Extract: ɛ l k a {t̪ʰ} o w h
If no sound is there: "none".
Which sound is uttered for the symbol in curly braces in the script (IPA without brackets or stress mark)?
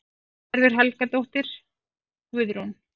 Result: t̪